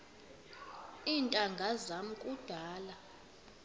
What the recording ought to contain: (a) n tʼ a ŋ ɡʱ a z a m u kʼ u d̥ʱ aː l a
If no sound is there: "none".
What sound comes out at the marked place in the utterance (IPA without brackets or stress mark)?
i